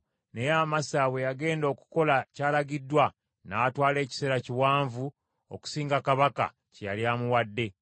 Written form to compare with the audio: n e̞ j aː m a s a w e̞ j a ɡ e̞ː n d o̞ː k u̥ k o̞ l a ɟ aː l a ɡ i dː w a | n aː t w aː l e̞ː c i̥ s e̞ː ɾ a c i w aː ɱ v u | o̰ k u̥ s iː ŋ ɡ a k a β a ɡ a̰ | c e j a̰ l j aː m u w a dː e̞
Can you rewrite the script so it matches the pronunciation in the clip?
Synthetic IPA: n e̞ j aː m a s a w e̞ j a ɡ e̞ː n d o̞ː k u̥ k o̞ l a c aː l a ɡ i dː w a | n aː t w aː l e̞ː c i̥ s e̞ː ɾ a c i w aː ɱ v u | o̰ k u̥ s iː ŋ ɡ a k a β a k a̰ | c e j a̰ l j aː m u w a dː e̞

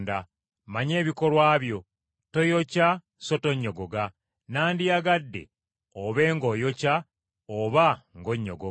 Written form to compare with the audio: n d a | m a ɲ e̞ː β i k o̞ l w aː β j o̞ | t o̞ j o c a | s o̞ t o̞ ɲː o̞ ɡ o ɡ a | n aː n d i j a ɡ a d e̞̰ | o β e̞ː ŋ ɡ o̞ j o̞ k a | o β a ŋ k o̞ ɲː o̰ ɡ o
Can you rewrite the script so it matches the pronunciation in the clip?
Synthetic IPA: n d a | m a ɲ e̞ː β i k o̞ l w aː β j o̞ | t o̞ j o c a | s o̞ t o̞ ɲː o̞ ɡ o ɡ a | n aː n d i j a ɡ a dː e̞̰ | o β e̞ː ŋ ɡ o̞ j o̞ c a | o β a ŋ ɡ o̞ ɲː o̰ ɡ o

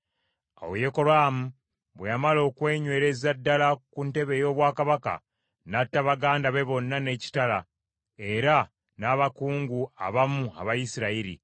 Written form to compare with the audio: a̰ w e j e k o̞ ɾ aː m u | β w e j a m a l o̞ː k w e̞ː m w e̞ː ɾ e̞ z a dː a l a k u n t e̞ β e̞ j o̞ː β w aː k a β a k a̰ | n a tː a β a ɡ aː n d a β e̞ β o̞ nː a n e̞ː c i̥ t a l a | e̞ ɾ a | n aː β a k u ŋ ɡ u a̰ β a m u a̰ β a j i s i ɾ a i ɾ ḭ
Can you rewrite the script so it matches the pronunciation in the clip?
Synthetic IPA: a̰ w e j e k o̞ ɾ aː m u | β w e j a m a l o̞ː k w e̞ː ɲ w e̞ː ɾ e̞ z a dː a l a k u n t e̞ β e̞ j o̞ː β w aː k a β a k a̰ | n a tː a β a ɡ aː n d a β e̞ β o̞ nː a n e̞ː c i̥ t a l a | e̞ ɾ a | n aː β a k uː ŋ ɡ u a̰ β a m u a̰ β a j i s i ɾ a i ɾ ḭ

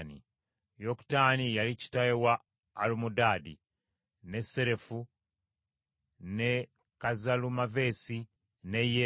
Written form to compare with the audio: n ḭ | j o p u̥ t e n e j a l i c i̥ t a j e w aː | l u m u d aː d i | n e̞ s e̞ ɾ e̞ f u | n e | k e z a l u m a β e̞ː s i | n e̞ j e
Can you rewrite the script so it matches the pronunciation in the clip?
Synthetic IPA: n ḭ | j o k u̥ t a n i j a l i c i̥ t a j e w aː | l u m u d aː d i | n e̞ s e̞ ɾ e̞ f u | n e | k a z a l u m a v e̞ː s i | n e̞ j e

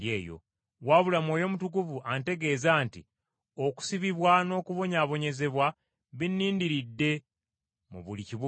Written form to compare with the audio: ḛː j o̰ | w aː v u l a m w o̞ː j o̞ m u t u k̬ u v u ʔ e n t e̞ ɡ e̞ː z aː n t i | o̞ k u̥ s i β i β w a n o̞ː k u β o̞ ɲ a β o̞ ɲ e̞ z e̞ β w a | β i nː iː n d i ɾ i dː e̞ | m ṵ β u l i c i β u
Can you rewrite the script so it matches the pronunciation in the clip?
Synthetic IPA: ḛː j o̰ | w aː β u l a m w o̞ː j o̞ m u t u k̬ u v u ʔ a n t e̞ ɡ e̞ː z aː n t i | o̞ k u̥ s i β i β w a n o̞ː k u β o̞ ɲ a β o̞ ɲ e̞ z e̞ β w a | β i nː iː n d i ɾ i dː e̞ | m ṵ β u l i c i β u

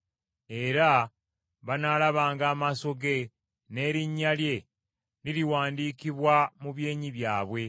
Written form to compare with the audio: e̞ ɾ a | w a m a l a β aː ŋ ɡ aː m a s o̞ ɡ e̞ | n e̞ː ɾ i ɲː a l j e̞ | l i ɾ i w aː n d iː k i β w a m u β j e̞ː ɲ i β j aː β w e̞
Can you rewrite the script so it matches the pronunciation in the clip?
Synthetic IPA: e̞ ɾ a | β a n a l a β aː ŋ ɡ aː m a s o̞ ɡ e̞ | n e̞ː ɾ i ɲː a l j e̞ | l i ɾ i w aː n d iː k i β w a m u β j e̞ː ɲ i β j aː β w e̞

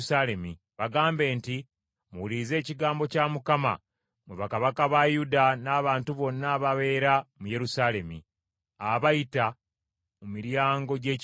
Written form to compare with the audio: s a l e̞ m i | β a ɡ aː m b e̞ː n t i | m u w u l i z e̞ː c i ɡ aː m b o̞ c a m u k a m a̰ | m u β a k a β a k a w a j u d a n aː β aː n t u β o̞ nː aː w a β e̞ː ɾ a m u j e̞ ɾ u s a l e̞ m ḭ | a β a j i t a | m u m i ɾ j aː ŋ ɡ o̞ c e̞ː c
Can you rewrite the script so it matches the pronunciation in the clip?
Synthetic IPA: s a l e̞ m i | β a ɡ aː m b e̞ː n t i | m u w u l i z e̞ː c i ɡ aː m b o̞ c a m u k a m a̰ | m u β a k a β a k a β a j u d a n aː β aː n t u β o̞ nː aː β a β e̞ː ɾ a m u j e̞ ɾ u s a l e̞ m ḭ | a β a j i t a | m u m i ɾ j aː ŋ ɡ o̞ ɟ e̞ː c

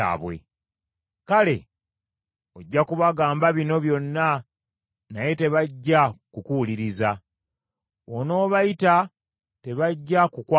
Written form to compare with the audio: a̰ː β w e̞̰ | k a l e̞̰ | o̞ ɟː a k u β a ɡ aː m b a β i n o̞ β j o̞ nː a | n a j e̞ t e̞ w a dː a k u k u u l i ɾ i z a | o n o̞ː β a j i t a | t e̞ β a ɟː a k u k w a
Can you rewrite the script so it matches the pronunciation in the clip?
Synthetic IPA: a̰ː β w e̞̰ | k a l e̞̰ | o̞ ɟː a k u β a ɡ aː m b a β i n o̞ β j o̞ nː a | n a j e̞ t e̞ β a ɟː a k u k u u l i ɾ i z a | o n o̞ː β a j i t a | t e̞ β a ɟː a k u k w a

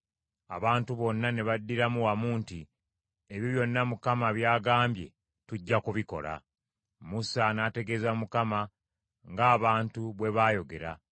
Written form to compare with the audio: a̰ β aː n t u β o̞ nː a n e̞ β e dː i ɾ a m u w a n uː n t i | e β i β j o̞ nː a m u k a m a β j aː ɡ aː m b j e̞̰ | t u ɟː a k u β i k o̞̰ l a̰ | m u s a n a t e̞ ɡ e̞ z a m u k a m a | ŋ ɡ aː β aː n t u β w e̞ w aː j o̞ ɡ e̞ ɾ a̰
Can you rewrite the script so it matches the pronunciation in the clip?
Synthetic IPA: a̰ β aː n t u β o̞ nː a n e̞ β a dː i ɾ a m u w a m uː n t i | e β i β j o̞ nː a m u k a m a β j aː ɡ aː m b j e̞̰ | t u ɟː a k u β i k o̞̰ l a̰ | m u s a n a t e̞ ɡ e̞ z a m u k a m a | ŋ ɡ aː β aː n t u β w e̞ β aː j o̞ ɡ e̞ ɾ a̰

